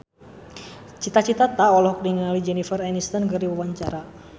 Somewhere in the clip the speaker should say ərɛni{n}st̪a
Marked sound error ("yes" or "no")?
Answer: yes